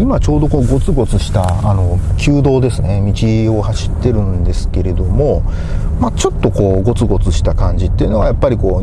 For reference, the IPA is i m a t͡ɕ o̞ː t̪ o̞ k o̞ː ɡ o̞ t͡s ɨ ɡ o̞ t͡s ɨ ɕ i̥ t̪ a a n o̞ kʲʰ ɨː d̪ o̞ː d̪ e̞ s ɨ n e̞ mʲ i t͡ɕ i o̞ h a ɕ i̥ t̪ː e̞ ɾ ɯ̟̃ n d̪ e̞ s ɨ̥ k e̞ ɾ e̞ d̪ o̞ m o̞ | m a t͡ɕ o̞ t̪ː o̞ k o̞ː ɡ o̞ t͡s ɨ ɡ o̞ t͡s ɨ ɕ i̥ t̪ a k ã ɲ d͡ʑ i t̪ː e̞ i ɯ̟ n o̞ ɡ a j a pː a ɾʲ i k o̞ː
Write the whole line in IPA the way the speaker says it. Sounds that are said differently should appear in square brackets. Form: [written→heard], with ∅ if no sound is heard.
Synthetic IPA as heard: i m a t͡ɕ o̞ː [t̪→d̪] o̞ k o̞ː ɡ o̞ t͡s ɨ ɡ o̞ t͡s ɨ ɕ i̥ t̪ a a n o̞ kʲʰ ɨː d̪ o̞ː d̪ e̞ s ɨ n e̞ mʲ i t͡ɕ i o̞ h a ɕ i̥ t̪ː e̞ ɾ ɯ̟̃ n d̪ e̞ s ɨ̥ k e̞ ɾ e̞ d̪ o̞ m o̞ | m a t͡ɕ o̞ t̪ː o̞ k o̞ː ɡ o̞ t͡s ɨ ɡ o̞ t͡s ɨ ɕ i̥ t̪ a k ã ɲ d͡ʑ i t̪ː e̞ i ɯ̟ n o̞ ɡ a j a pː a ɾʲ i k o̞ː